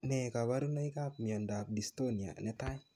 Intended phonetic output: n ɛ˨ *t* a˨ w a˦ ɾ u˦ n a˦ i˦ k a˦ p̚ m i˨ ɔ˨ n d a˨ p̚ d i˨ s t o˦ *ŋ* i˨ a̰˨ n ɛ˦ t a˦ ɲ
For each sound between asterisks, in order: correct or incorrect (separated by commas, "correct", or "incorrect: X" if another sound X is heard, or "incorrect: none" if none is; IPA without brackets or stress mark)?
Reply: incorrect: k, incorrect: n